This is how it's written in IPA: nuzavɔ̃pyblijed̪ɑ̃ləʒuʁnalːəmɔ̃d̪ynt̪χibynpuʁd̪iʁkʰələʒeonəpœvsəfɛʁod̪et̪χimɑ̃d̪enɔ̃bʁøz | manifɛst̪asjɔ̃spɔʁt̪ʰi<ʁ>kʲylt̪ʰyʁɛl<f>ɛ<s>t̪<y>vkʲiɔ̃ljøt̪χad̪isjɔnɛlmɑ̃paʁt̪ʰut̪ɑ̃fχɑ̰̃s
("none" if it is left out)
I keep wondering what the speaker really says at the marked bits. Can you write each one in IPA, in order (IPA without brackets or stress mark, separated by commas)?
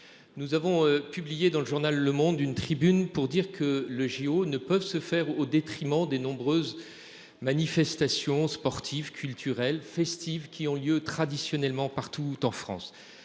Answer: v, f, s, i